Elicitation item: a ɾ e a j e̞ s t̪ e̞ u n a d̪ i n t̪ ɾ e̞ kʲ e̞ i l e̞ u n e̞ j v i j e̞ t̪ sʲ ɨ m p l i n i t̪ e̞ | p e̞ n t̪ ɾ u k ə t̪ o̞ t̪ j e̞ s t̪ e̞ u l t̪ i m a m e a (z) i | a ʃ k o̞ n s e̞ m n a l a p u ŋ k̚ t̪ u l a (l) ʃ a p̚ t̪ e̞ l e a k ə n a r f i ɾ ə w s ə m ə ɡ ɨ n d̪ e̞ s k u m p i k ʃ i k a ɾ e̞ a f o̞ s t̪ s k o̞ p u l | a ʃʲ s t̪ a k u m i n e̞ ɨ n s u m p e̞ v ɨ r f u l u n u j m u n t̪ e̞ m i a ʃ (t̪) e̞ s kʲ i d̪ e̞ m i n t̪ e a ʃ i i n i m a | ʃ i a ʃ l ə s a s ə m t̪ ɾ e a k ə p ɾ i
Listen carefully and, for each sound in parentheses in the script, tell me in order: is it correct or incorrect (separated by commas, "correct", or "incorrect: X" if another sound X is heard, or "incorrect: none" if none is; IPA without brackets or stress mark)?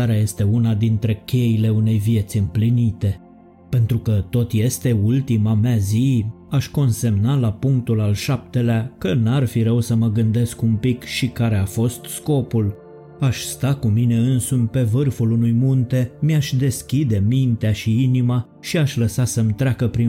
correct, correct, incorrect: d̪